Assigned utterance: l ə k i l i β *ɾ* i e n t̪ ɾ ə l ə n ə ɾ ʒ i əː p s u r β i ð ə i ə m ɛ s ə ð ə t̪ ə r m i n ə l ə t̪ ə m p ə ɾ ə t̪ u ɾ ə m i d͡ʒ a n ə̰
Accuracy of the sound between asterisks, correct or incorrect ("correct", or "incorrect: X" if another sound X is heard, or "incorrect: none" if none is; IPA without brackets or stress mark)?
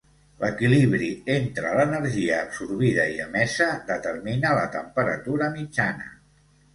correct